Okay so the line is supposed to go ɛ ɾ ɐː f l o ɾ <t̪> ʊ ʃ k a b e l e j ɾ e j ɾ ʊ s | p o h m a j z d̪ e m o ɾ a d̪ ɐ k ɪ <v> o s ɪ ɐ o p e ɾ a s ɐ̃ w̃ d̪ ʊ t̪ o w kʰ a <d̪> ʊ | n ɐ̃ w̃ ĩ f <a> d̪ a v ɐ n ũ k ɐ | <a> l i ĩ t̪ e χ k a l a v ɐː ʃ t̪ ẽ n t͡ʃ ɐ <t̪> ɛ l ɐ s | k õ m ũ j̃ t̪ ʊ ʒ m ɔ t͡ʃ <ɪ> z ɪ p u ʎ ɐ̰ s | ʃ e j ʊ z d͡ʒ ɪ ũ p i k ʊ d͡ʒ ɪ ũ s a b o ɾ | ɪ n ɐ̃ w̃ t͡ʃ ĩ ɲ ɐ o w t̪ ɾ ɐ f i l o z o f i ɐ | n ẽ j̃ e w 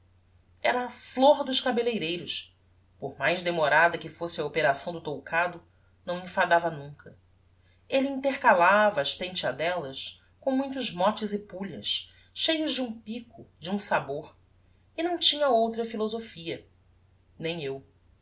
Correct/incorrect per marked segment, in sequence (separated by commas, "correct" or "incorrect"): incorrect, incorrect, correct, correct, incorrect, incorrect, correct